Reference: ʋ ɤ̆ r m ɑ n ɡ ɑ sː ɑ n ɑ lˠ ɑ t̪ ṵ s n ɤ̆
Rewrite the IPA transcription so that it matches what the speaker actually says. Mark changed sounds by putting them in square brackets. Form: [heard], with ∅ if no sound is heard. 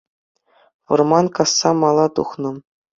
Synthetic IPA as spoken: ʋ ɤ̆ r m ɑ n [k] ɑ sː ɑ [m] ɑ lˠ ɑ t̪ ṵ [χ] n ɤ̆